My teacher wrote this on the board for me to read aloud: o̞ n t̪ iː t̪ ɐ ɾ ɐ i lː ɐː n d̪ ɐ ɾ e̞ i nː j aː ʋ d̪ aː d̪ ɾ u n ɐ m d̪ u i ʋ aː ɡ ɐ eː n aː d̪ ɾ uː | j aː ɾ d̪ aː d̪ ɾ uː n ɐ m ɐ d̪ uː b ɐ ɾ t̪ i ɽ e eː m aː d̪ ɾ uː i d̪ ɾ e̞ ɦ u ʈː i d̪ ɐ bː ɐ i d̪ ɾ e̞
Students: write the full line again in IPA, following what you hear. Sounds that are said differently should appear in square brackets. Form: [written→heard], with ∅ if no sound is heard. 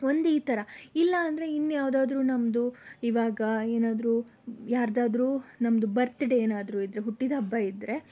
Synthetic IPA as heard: o̞ n [t̪→d̪] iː t̪ ɐ ɾ ɐ i lː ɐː n d̪ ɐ ɾ e̞ i nː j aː ʋ d̪ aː d̪ ɾ [u→uː] n ɐ m d̪ u i ʋ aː ɡ ɐ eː n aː d̪ ɾ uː | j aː ɾ d̪ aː d̪ ɾ uː n ɐ m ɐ d̪ [uː→u] b ɐ ɾ t̪ i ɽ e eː [m→n] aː d̪ ɾ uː i d̪ ɾ e̞ ɦ u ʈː i d̪ ɐ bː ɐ i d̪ ɾ e̞

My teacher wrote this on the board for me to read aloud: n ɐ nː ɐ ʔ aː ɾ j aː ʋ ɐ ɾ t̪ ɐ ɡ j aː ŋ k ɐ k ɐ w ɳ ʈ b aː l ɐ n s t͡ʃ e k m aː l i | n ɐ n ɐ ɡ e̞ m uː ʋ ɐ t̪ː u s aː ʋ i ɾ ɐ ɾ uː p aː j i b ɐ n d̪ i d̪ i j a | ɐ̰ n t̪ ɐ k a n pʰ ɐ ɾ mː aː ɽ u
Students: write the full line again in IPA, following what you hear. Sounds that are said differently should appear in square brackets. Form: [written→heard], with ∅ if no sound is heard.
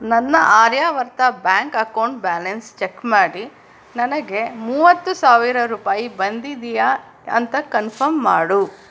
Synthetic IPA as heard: n ɐ nː ɐ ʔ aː ɾ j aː ʋ ɐ ɾ t̪ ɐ [ɡ→b] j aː ŋ k ɐ k ɐ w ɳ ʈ b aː l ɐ n s t͡ʃ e k m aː [l→ɽ] i | n ɐ n ɐ ɡ e̞ m uː ʋ ɐ t̪ː u s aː ʋ i ɾ ɐ ɾ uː p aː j i b ɐ n d̪ i d̪ i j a | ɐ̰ n t̪ ɐ k [a→ɐ] n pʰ ɐ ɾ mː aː ɽ u

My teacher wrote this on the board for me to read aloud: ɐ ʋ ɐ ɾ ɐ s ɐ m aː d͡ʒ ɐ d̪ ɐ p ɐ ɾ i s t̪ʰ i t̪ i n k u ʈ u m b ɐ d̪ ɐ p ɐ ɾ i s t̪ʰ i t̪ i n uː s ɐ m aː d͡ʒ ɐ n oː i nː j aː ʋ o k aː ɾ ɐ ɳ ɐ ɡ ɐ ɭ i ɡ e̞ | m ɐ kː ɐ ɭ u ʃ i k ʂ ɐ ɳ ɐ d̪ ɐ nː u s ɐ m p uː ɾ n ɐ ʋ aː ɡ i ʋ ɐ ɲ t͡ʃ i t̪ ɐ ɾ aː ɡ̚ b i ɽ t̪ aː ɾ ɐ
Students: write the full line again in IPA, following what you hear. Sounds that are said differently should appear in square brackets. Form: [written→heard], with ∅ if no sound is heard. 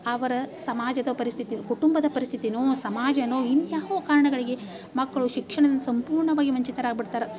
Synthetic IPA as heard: ɐ ʋ ɐ ɾ ɐ s ɐ m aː d͡ʒ ɐ d̪ ɐ p ɐ ɾ i s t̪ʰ i t̪ i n k u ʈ u m b ɐ d̪ ɐ p ɐ ɾ i s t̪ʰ i t̪ i n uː s ɐ m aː d͡ʒ ɐ n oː i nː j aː ʋ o k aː ɾ ɐ ɳ ɐ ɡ ɐ ɭ i ɡ e̞ | m ɐ kː ɐ ɭ u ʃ i k ʂ ɐ ɳ ɐ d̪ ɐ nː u s ɐ m p uː ɾ [n→ɳ] ɐ ʋ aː ɡ i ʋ ɐ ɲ t͡ʃ i t̪ ɐ ɾ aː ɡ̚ b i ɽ t̪ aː ɾ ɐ

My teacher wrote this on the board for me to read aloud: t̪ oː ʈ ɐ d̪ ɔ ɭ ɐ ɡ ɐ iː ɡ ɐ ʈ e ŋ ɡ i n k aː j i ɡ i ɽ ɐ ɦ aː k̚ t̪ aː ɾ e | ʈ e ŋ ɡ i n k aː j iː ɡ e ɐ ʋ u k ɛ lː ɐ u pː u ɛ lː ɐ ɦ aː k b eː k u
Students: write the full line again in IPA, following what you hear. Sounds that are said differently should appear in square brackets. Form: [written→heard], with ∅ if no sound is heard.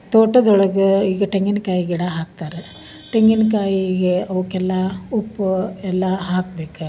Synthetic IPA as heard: t̪ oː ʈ ɐ d̪ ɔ ɭ ɐ ɡ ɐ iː ɡ ɐ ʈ e ŋ ɡ i n k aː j i ɡ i ɽ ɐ ɦ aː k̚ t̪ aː ɾ e | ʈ e ŋ ɡ i n k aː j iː ɡ e ɐ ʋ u k ɛ lː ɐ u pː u ɛ lː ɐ ɦ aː k b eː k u

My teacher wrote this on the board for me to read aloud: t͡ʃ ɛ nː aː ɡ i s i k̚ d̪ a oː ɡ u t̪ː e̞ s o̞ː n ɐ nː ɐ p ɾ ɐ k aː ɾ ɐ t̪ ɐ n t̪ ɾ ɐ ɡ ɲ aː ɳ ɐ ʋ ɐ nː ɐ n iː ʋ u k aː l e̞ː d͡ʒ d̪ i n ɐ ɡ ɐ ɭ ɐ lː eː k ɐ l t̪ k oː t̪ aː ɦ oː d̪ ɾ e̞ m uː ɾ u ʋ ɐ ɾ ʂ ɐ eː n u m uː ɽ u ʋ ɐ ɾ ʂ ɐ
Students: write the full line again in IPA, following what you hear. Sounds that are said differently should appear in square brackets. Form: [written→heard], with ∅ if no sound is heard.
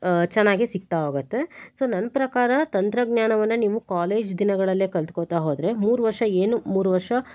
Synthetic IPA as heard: t͡ʃ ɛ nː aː ɡ i s i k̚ [d̪→t̪] a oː ɡ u t̪ː e̞ s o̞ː n ɐ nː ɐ p ɾ ɐ k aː ɾ ɐ t̪ ɐ n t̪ ɾ ɐ ɡ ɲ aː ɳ ɐ ʋ ɐ nː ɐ n iː ʋ u k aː l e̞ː d͡ʒ d̪ i n ɐ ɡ ɐ ɭ ɐ lː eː k ɐ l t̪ k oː t̪ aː ɦ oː d̪ ɾ e̞ m uː ɾ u ʋ ɐ ɾ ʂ ɐ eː n u m uː [ɽ→ɾ] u ʋ ɐ ɾ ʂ ɐ

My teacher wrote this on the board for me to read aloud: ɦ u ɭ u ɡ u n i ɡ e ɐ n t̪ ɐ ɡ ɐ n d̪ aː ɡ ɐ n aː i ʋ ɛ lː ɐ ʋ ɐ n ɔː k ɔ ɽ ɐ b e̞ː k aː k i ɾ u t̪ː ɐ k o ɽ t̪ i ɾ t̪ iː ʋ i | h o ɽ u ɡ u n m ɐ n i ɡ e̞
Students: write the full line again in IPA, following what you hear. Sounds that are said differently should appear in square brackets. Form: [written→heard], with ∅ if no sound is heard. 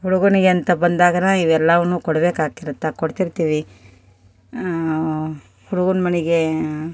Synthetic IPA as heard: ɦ u [ɭ→ɽ] u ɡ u n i ɡ e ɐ n t̪ ɐ [ɡ→b] ɐ n d̪ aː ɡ ɐ n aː i ʋ ɛ lː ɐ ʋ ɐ n [ɔː→uː] k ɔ ɽ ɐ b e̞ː k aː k i ɾ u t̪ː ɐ k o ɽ t̪ i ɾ t̪ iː ʋ i | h [o→u] ɽ u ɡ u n m ɐ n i ɡ e̞

